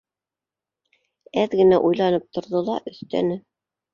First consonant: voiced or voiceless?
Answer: voiced